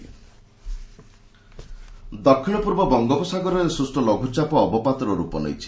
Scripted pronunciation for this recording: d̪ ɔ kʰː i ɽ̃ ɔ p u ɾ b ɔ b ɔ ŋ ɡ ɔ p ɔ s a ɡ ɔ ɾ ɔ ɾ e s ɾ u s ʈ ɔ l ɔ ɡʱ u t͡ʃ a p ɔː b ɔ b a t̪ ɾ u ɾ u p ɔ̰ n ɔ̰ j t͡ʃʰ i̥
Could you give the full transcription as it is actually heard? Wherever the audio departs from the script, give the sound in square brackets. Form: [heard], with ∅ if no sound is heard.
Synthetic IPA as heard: d̪ ɔ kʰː i ɽ̃ ɔ p u ɾ b ɔ b ɔ ŋ ɡ ɔ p ɔ s a ɡ ɔ ɾ ɔ ɾ e s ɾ u s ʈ ɔ l ɔ ɡʱ u t͡ʃ a p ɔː b ɔ [p] a t̪ ɾ [ɔ] ɾ u p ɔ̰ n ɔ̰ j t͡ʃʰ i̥

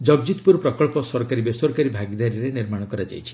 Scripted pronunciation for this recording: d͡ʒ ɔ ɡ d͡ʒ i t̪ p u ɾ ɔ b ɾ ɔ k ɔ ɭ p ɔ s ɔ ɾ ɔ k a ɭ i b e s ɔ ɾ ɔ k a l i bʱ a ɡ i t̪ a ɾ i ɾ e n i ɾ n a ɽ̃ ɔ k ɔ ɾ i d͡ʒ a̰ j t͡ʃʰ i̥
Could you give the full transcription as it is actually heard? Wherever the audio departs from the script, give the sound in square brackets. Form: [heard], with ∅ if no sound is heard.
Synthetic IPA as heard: d͡ʒ ɔ ɡ d͡ʒ i t̪ p u ɾ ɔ [p] ɾ ɔ k ɔ ɭ p ɔ s ɔ ɾ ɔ k a [ɾ] i b e s ɔ ɾ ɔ k a [ɾ] i bʱ a ɡ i [d̪] a ɾ i ɾ e n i ɾ [m] a ɽ̃ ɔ k ɔ ɾ [a] d͡ʒ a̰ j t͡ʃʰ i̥

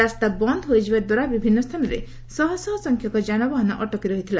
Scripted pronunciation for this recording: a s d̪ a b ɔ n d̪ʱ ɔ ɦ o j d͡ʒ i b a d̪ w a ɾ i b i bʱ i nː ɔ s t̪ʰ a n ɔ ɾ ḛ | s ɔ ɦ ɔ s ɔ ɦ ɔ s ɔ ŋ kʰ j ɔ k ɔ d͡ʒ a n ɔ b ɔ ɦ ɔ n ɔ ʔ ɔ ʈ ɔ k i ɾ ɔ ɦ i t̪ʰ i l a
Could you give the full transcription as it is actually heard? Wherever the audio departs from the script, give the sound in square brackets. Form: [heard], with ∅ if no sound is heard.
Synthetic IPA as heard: a s [t̪] a b ɔ n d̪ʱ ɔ ɦ o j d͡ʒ i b a d̪ w a ɾ [a] b i bʱ i nː ɔ s t̪ʰ a n ɔ ɾ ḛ | s ɔ ɦ ɔ s ɔ ɦ ɔ s ɔ ŋ kʰ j ɔ k ɔ d͡ʒ a n ɔ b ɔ ɦ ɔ n ɔ ʔ ɔ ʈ ɔ k i ɾ ɔ ɦ i t̪ʰ i l a

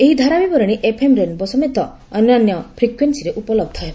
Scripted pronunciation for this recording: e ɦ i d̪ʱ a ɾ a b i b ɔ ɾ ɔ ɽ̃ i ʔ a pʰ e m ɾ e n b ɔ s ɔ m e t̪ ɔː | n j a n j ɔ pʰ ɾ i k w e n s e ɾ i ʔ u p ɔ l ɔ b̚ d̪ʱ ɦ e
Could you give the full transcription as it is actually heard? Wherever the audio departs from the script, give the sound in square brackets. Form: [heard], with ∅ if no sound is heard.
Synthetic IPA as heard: e ɦ i d̪ʱ a ɾ a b i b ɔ ɾ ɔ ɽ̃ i ʔ [e] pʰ e m ɾ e n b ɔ s ɔ m e t̪ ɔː | n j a n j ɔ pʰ ɾ i k w e n s [i] ɾ [e] ʔ u p ɔ l ɔ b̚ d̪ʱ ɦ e

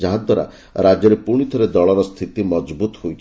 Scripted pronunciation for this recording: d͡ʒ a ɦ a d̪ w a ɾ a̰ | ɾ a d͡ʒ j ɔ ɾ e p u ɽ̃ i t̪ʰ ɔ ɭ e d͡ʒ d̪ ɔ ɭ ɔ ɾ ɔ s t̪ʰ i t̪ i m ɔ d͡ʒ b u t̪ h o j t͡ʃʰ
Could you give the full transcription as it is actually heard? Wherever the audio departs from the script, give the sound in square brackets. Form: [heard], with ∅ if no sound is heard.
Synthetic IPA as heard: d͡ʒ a ɦ a d̪ w a ɾ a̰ | ɾ a d͡ʒ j ɔ ɾ e p u ɽ̃ i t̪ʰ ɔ [ɾ] e [∅] d̪ ɔ ɭ ɔ ɾ ɔ s t̪ʰ i t̪ i m ɔ d͡ʒ b u t̪ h o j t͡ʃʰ

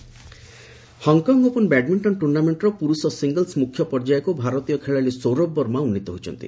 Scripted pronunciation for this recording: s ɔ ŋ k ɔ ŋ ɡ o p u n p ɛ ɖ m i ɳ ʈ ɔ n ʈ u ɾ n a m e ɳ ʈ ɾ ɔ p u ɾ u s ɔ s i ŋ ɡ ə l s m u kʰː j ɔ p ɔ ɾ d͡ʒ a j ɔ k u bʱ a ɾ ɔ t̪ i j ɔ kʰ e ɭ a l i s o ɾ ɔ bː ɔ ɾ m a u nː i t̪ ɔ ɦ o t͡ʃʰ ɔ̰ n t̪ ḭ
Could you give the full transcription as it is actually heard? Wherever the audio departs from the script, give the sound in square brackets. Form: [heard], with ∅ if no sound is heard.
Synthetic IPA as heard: [h] ɔ ŋ k ɔ ŋ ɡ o p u n [b] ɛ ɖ m i ɳ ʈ ɔ n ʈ u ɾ n a m e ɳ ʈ ɾ ɔ p u ɾ u s ɔ s i ŋ ɡ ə l s m u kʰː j ɔ p ɔ ɾ d͡ʒ a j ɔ k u bʱ a ɾ ɔ t̪ i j ɔ kʰ e ɭ a l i s o ɾ ɔ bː ɔ ɾ m a u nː i t̪ ɔ ɦ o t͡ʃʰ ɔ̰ n t̪ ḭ

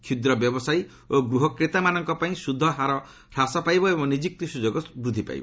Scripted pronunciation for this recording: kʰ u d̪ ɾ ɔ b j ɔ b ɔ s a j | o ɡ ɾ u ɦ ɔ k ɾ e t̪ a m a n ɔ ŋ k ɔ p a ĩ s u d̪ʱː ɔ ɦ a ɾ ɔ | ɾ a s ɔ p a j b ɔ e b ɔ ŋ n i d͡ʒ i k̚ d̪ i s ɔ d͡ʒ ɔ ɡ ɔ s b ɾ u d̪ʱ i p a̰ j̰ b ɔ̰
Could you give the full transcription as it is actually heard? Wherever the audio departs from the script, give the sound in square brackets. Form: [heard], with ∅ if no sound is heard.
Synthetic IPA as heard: kʰ u d̪ ɾ ɔ b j ɔ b ɔ s a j | o ɡ ɾ u ɦ ɔ k ɾ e t̪ a m a n ɔ ŋ k ɔ p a ĩ s u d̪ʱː ɔ ɦ a ɾ ɔ | ɾ a s ɔ p a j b ɔ e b ɔ ŋ n i d͡ʒ i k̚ [t̪] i s [u] d͡ʒ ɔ ɡ ɔ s b ɾ u d̪ʱ i p a̰ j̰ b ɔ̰

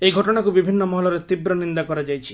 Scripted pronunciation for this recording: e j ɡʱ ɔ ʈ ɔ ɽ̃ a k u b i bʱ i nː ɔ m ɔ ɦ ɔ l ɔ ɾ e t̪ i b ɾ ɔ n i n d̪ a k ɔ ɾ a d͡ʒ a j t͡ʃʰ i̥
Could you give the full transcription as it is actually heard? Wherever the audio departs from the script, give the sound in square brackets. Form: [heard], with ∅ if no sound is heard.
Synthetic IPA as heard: e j ɡʱ ɔ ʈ ɔ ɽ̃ a k u b i bʱ i nː ɔ m ɔ ɦ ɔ l ɔ ɾ e t̪ i b ɾ ɔ n i n d̪ a k ɔ ɾ a d͡ʒ a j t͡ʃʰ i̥

